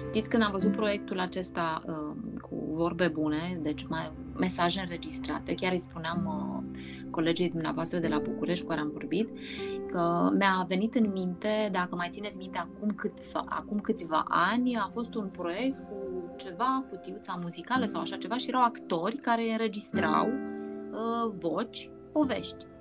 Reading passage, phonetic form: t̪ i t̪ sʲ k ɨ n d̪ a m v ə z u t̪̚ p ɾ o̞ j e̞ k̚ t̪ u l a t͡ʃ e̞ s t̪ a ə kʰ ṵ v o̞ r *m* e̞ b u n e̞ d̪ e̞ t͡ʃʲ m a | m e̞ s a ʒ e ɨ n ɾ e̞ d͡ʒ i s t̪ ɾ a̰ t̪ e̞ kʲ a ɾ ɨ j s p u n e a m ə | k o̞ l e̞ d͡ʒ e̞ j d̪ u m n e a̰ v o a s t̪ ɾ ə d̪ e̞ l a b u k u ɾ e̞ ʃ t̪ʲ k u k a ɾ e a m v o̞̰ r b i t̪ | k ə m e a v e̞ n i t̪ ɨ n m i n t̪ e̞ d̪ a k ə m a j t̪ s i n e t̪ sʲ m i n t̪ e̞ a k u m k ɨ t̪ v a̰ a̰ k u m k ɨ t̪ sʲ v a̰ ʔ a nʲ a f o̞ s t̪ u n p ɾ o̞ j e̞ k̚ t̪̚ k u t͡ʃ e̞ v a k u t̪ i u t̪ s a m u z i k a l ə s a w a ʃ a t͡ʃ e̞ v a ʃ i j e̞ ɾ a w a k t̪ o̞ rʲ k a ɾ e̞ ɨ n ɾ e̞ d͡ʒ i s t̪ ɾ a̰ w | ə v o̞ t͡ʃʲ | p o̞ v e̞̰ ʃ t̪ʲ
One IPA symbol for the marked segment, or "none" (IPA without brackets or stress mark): b